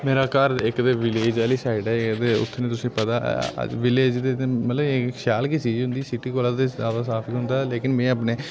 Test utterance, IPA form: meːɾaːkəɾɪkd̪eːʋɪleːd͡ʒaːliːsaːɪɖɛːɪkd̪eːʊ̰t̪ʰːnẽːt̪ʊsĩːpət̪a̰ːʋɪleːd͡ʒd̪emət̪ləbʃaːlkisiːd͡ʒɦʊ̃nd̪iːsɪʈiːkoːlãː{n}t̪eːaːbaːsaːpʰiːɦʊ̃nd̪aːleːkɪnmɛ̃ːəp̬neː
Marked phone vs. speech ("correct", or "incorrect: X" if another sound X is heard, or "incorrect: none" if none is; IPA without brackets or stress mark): incorrect: none